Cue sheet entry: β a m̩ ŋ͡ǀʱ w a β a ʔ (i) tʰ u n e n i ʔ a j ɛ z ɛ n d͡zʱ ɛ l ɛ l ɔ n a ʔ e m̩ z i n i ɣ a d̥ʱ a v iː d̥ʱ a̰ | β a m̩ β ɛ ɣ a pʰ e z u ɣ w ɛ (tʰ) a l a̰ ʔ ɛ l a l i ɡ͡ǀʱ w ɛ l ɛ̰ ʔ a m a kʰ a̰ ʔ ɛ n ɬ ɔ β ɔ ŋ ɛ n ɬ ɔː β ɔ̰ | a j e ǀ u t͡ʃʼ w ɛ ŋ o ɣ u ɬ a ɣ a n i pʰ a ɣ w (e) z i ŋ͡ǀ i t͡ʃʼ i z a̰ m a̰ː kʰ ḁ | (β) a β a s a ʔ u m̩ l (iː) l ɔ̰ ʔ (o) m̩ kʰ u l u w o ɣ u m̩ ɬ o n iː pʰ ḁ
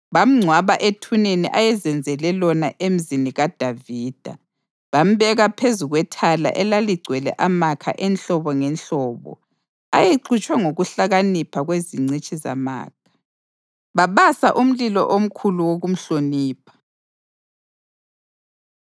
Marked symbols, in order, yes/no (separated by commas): no, yes, yes, yes, no, yes